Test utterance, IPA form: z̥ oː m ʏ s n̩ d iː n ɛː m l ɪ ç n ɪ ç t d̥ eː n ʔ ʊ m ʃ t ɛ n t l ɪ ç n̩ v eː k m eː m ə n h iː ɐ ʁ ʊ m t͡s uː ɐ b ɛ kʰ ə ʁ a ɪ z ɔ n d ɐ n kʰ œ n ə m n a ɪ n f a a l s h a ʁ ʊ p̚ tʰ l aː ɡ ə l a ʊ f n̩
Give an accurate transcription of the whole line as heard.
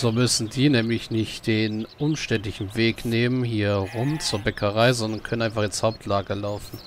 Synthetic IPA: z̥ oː m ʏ s n̩ d iː n ɛː m l ɪ ç n ɪ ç t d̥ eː n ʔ ʊ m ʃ t ɛ n t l ɪ ç n̩ v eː k n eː m ə n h iː ɐ ʁ ʊ m t͡s uː ɐ b ɛ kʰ ə ʁ a ɪ z ɔ n d ɐ n kʰ œ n ə n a ɪ n f a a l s h a ʊ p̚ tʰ l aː ɡ ə l a ʊ f n̩